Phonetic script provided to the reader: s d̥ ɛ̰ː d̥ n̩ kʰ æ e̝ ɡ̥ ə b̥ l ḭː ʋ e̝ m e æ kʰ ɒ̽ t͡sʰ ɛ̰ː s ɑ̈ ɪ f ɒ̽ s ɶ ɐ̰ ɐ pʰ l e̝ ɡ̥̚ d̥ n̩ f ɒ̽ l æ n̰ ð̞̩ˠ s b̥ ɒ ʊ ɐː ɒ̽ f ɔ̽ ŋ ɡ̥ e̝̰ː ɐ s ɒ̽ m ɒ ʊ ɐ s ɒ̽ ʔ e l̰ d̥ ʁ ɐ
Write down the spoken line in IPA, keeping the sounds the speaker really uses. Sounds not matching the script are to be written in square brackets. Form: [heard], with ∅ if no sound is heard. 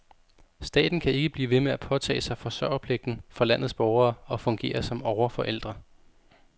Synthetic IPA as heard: s d̥ ɛ̰ː d̥ n̩ kʰ æ e̝ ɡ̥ ə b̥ l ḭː ʋ e̝ m e æ [pʰ] ɒ̽ t͡sʰ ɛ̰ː s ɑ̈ ɪ f ɒ̽ s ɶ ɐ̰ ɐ pʰ l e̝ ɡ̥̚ d̥ n̩ f ɒ̽ l æ n̰ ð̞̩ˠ s b̥ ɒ ʊ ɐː ɒ̽ f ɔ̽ ŋ ɡ̥ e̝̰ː ɐ s ɒ̽ m ɒ ʊ ɐ [f] ɒ̽ ʔ e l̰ d̥ ʁ ɐ

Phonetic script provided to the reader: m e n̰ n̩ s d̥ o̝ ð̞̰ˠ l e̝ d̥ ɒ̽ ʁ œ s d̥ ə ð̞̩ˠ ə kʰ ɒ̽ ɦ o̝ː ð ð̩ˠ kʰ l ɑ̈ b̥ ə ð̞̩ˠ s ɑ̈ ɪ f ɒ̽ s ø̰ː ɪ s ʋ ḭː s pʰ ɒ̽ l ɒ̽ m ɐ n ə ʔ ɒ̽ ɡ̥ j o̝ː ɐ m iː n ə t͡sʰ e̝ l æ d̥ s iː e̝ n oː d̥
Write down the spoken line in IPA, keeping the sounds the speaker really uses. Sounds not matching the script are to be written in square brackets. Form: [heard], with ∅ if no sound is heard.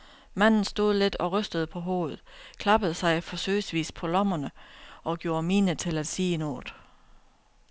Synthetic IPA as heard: m [æ] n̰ n̩ s d̥ o̝ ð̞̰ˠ l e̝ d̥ ɒ̽ ʁ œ s d̥ ə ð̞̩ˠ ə [pʰ] ɒ̽ ɦ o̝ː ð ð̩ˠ kʰ l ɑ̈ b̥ ə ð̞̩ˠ s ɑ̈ ɪ f ɒ̽ s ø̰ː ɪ s ʋ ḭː s pʰ ɒ̽ l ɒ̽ m ɐ n ə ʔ ɒ̽ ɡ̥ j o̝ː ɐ m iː n ə t͡sʰ e̝ l æ d̥ s iː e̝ n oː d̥

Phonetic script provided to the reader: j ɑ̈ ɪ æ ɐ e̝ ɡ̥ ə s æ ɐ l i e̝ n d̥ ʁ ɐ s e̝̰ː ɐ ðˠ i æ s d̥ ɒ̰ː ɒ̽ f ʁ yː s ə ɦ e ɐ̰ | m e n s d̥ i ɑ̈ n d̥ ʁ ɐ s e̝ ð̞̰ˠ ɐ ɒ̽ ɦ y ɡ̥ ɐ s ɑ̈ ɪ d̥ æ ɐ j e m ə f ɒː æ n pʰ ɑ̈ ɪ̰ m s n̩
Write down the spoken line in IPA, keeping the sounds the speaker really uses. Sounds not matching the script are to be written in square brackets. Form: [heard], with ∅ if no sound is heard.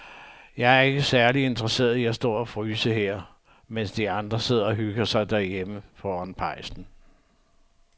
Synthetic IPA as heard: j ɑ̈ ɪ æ ɐ e̝ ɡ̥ ə s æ ɐ l i e̝ n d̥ ʁ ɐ s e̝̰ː ɐ ðˠ i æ s d̥ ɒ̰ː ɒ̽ f ʁ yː s ə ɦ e ɐ̰ | m e n s d̥ i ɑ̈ n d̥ ʁ ɐ s e̝ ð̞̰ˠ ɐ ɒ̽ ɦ y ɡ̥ ɐ s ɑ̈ ɪ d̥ æ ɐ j e m ə f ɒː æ n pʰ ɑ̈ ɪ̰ [∅] s n̩

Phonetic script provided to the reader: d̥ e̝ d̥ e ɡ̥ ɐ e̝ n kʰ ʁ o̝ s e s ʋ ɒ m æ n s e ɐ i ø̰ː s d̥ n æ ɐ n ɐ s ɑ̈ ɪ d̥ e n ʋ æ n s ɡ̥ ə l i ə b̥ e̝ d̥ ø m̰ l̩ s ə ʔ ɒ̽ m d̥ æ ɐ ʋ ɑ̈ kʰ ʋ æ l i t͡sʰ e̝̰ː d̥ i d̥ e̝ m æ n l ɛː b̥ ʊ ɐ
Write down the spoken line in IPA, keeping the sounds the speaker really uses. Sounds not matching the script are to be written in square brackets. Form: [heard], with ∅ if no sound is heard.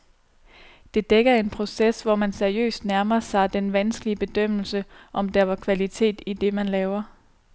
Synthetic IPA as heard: d̥ e̝ d̥ e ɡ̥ ɐ e̝ n [pʰ] ʁ o̝ s e s ʋ ɒ m æ n s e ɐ i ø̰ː s d̥ n æ ɐ [m] ɐ s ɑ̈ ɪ d̥ e n ʋ æ n s ɡ̥ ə l i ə b̥ e̝ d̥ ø m̰ l̩ s ə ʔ ɒ̽ m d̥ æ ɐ ʋ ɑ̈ kʰ ʋ æ l i t͡sʰ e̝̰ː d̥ i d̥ e̝ m æ n l ɛː [∅] ʊ ɐ

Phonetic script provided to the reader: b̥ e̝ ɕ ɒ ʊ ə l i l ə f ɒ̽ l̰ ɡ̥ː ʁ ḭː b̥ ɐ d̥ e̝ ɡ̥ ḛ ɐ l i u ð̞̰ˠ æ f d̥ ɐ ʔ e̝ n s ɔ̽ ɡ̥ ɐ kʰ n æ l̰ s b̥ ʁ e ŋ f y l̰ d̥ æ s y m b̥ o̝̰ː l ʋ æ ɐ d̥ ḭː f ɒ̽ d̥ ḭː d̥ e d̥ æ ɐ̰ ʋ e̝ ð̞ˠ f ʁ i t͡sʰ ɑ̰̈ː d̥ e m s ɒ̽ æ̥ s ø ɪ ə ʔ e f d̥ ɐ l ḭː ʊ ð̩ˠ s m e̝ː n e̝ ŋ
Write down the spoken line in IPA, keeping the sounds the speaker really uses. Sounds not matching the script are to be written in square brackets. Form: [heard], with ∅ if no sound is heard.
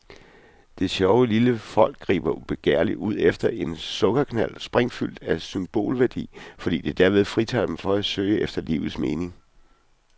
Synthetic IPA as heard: [d̥] e̝ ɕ ɒ ʊ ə l i l ə f ɒ̽ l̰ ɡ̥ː ʁ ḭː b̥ ɐ [b̥] e̝ ɡ̥ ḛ ɐ l i u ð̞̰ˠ [e] f d̥ ɐ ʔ e̝ n s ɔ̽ ɡ̥ ɐ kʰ n æ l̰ s b̥ ʁ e ŋ f y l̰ d̥ æ s y m b̥ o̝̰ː l ʋ æ ɐ d̥ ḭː f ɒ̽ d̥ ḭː d̥ e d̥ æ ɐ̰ ʋ e̝ ð̞ˠ f ʁ i t͡sʰ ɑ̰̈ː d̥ e m [f] ɒ̽ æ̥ s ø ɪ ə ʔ e f d̥ ɐ l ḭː ʊ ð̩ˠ s m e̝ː n e̝ ŋ

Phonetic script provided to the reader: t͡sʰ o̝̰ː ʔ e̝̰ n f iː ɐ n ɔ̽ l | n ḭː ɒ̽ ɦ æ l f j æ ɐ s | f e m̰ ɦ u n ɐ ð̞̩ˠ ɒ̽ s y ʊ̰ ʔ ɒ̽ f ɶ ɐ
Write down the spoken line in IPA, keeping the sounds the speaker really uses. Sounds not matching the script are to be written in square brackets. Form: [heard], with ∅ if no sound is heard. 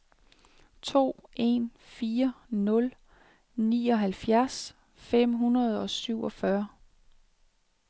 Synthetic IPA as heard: t͡sʰ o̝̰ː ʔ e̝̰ n f iː ɐ n ɔ̽ l | n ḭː ɒ̽ ɦ æ l f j æ ɐ s | f e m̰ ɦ u n ɐ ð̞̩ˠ ɒ̽ s y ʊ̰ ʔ ɒ̽ f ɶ ɐ

